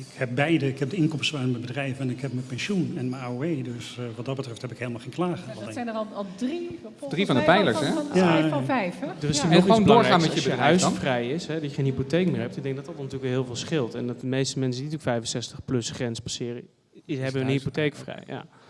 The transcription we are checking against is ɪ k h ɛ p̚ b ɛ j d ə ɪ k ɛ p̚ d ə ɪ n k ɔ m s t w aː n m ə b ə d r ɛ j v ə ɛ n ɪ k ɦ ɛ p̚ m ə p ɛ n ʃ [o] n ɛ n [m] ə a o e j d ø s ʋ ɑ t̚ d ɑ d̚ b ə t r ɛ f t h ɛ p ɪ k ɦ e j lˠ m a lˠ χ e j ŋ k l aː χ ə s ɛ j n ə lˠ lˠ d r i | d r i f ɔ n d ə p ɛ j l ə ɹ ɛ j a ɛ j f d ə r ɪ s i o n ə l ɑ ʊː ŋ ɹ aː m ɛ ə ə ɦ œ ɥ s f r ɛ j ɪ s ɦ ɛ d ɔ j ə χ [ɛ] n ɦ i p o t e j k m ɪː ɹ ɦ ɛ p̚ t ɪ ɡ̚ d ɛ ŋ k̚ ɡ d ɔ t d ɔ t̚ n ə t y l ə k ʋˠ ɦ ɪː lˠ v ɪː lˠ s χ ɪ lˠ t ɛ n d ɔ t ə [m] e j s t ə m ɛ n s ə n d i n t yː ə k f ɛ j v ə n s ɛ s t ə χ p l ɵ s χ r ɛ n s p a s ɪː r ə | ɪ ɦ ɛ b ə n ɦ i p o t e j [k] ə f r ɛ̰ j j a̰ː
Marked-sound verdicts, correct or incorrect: incorrect: u, correct, incorrect: e, correct, correct

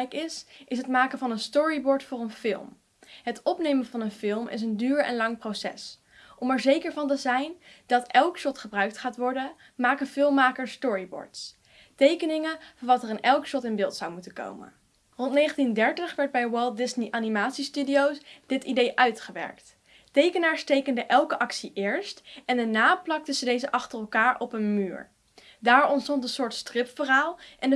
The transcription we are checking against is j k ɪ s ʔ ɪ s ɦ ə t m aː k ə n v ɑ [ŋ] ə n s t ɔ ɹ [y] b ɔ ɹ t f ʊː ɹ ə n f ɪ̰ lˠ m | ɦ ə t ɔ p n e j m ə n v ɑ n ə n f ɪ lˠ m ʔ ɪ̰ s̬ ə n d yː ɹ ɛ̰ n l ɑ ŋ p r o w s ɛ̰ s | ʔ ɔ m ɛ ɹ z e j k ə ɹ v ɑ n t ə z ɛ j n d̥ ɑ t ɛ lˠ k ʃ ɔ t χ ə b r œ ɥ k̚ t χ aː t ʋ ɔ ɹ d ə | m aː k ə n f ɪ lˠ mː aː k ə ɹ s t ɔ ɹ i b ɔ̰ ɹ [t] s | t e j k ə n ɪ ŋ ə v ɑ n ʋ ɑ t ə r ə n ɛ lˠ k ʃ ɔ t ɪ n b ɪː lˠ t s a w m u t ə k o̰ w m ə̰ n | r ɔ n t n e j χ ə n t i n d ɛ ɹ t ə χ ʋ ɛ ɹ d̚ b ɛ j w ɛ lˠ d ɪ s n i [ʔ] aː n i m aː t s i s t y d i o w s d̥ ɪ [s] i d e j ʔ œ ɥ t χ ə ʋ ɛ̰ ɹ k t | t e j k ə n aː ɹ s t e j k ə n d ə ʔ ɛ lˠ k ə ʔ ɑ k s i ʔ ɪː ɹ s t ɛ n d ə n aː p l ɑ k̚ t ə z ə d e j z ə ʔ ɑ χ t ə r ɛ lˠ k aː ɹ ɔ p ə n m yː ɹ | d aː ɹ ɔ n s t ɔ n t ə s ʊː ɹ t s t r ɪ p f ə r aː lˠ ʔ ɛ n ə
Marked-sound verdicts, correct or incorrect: incorrect: n, incorrect: i, correct, correct, incorrect: t

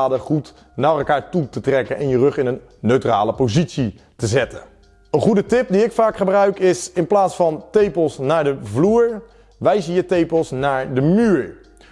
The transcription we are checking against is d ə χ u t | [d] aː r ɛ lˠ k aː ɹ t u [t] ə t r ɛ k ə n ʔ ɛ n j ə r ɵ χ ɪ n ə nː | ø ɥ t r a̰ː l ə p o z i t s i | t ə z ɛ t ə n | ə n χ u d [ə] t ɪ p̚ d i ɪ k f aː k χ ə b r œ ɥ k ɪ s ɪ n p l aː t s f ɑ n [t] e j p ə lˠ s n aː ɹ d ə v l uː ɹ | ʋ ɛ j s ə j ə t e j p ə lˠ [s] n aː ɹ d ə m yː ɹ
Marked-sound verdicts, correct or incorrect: incorrect: n, correct, correct, correct, correct

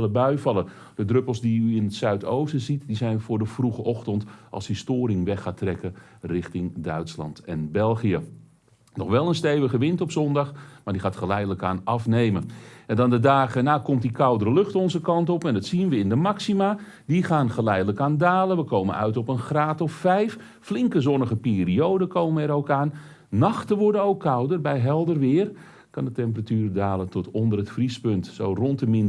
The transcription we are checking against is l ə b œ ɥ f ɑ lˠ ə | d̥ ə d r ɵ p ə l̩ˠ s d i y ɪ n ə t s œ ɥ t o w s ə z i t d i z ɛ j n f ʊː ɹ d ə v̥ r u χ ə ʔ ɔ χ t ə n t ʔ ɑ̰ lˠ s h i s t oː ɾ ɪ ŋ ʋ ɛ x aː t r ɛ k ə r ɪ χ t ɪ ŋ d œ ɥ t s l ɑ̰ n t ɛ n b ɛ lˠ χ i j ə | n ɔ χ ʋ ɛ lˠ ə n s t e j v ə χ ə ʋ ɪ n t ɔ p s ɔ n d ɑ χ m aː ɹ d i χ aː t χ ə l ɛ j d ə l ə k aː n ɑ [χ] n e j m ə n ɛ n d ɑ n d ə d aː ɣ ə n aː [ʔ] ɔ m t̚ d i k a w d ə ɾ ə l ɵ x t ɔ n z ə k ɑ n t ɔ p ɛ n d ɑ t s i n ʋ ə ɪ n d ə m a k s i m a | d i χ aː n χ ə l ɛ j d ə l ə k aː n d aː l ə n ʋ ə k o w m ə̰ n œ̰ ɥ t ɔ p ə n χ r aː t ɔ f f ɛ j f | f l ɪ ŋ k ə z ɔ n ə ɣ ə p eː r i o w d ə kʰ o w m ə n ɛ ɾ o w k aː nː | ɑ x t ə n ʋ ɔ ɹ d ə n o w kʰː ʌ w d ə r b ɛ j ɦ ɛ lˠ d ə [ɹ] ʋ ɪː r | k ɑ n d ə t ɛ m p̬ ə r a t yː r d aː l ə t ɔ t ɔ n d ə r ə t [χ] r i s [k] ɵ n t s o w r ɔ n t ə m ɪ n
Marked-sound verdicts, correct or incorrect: incorrect: f, incorrect: k, incorrect: r, incorrect: f, incorrect: p

